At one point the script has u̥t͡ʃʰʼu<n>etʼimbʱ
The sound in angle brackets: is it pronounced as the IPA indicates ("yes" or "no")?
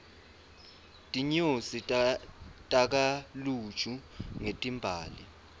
no